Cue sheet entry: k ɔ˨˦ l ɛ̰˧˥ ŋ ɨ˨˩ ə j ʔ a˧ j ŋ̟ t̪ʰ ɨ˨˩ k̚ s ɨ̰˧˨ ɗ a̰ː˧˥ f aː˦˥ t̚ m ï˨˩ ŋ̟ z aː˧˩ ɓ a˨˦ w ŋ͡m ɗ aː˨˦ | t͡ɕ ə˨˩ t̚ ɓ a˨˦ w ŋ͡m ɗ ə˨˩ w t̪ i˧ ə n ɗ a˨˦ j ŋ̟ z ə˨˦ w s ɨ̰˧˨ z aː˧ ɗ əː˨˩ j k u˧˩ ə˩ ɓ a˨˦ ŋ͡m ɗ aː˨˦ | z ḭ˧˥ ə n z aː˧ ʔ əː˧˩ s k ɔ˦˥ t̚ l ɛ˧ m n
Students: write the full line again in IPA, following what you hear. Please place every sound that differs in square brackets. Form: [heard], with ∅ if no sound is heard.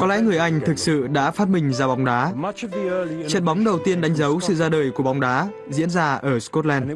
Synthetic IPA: k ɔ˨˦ l ɛ̰˧˥ ŋ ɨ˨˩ ə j ʔ a˧ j ŋ̟ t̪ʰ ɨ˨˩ k̚ s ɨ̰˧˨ ɗ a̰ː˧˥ f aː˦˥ t̚ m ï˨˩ ŋ̟ z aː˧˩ ɓ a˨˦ w ŋ͡m ɗ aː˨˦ | t͡ɕ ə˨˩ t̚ ɓ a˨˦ w ŋ͡m ɗ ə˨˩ w t̪ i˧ ə n ɗ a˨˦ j ŋ̟ z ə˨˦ w s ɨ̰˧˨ z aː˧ ɗ əː˨˩ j k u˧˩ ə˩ ɓ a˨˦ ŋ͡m ɗ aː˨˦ | z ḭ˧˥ ə n z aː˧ ʔ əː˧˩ s k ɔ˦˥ t̚ l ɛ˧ [n] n

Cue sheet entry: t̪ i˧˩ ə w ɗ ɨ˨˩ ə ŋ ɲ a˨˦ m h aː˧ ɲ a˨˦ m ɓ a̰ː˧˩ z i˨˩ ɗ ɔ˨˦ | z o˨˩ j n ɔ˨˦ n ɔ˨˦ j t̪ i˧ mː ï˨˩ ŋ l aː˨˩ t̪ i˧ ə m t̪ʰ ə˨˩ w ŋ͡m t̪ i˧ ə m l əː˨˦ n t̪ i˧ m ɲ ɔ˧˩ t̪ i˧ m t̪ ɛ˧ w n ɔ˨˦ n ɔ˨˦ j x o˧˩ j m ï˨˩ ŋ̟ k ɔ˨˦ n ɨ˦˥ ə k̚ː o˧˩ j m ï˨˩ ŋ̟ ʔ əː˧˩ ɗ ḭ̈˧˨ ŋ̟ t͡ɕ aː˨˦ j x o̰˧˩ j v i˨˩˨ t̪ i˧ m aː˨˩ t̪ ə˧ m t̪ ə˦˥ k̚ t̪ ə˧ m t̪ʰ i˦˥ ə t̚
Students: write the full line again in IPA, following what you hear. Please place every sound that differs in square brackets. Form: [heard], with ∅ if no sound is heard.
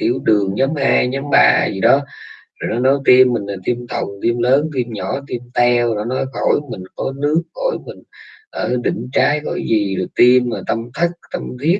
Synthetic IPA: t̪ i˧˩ ə w ɗ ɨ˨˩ ə ŋ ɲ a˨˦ m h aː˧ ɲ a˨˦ m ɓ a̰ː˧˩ z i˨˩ ɗ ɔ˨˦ | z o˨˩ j n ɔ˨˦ n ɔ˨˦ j t̪ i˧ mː ï˨˩ ŋ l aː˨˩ t̪ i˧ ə m t̪ʰ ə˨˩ w ŋ͡m t̪ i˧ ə m l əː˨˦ n t̪ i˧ m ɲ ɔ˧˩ t̪ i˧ m t̪ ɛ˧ w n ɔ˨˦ n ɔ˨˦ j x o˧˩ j m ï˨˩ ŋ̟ k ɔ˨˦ n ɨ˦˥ ə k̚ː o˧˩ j m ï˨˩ ŋ̟ ʔ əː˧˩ ɗ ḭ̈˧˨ ŋ̟ t͡ɕ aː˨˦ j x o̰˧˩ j [z] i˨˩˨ t̪ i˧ m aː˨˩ t̪ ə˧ m [t̪ʰ] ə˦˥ k̚ t̪ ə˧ m t̪ʰ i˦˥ ə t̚

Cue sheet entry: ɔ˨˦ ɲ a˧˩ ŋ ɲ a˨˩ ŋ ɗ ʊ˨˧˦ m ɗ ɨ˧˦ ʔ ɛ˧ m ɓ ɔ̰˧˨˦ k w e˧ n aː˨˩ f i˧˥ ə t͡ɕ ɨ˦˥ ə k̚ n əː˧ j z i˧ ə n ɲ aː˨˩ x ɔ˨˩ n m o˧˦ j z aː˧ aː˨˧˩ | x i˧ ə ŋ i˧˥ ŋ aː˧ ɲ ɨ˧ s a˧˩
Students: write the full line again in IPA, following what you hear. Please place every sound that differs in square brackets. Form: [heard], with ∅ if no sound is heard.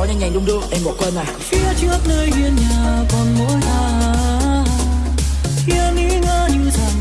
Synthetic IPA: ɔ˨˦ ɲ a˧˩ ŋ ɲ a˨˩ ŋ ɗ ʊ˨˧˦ [ŋ͡m] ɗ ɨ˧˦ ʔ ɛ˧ m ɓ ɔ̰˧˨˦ k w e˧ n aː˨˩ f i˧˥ ə t͡ɕ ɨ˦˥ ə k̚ n əː˧ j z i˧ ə n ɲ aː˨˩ [k] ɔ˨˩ n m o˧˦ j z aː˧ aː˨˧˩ | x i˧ ə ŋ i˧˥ ŋ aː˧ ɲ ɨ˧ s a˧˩

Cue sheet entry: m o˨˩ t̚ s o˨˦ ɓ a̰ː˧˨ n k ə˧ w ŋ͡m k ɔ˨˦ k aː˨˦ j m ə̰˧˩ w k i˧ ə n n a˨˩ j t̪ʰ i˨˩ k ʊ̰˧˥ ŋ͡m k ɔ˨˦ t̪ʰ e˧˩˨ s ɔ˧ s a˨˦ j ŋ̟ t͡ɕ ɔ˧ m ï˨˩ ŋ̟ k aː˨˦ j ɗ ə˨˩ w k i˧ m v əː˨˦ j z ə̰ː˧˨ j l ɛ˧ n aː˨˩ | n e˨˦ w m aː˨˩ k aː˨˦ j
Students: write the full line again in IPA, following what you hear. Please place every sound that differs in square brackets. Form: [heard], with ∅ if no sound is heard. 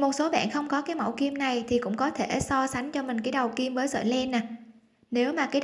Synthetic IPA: m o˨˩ t̚ s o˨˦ ɓ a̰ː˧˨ n [x] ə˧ w ŋ͡m k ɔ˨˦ k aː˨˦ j m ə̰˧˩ w k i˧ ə [m] n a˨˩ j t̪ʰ i˨˩ k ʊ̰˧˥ ŋ͡m k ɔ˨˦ t̪ʰ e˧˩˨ s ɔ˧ s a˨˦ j ŋ̟ t͡ɕ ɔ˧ m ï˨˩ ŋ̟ k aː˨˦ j ɗ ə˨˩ w k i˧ m v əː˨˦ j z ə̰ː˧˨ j l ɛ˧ n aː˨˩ | n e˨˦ w m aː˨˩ k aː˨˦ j

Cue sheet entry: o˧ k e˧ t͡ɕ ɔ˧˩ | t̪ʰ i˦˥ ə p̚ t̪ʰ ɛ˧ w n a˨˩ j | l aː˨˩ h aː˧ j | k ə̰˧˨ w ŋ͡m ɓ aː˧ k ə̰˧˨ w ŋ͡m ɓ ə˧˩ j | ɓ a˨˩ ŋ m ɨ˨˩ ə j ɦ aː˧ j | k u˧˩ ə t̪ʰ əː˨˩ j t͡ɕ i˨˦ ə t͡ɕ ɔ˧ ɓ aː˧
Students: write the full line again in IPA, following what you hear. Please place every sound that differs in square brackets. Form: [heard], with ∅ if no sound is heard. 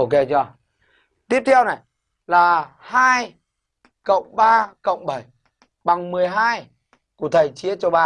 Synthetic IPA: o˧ k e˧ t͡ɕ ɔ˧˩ | [t̪] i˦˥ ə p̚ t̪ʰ ɛ˧ w n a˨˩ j | l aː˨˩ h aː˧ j | k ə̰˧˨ w ŋ͡m ɓ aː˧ k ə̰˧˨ w ŋ͡m ɓ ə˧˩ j | ɓ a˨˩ ŋ m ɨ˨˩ ə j ɦ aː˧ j | k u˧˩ ə t̪ʰ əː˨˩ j t͡ɕ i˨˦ ə t͡ɕ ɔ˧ ɓ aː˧

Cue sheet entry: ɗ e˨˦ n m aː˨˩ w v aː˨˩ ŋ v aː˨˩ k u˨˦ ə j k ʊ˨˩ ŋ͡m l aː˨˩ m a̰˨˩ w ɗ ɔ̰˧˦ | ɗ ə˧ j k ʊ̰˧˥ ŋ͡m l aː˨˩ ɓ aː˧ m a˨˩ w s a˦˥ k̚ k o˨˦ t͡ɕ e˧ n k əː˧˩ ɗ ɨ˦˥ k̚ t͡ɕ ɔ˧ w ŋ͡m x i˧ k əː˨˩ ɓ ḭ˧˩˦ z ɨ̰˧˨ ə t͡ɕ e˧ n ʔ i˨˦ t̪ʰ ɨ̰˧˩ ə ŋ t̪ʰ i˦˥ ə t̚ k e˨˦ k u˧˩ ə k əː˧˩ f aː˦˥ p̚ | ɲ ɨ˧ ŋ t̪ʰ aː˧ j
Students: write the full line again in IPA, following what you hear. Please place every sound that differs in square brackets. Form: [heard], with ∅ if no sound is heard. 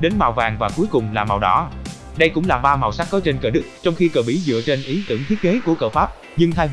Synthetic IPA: ɗ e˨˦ n m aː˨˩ w v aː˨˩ ŋ v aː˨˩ k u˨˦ ə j k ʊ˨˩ ŋ͡m l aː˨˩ m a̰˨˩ w ɗ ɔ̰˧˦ | ɗ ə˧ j k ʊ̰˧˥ ŋ͡m l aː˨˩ ɓ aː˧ m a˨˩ w s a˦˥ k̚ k [ɔ˨˦] t͡ɕ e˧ n k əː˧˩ ɗ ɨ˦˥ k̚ t͡ɕ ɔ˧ w ŋ͡m x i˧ k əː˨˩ ɓ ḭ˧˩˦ z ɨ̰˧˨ ə t͡ɕ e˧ n ʔ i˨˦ [t̪] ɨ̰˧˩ ə ŋ t̪ʰ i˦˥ ə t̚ k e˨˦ k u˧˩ ə k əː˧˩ f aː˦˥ p̚ | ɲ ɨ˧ ŋ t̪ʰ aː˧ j

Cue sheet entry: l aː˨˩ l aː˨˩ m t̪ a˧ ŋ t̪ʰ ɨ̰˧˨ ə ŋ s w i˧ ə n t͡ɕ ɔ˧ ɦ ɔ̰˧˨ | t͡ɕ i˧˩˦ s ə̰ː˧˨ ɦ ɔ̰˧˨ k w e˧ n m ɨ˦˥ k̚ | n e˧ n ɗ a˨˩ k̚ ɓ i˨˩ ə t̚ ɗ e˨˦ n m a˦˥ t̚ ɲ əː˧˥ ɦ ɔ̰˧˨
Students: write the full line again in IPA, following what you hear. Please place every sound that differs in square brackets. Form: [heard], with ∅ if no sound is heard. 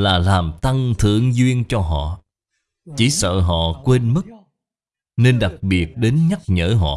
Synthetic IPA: l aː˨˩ l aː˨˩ m t̪ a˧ ŋ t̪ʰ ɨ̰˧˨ ə ŋ [z] w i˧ ə n t͡ɕ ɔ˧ ɦ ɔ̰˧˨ | t͡ɕ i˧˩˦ s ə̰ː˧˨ ɦ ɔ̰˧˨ k w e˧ n m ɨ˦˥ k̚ | n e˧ n ɗ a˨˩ k̚ ɓ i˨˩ ə t̚ ɗ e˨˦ n [ɲ] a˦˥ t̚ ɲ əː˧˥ ɦ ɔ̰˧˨

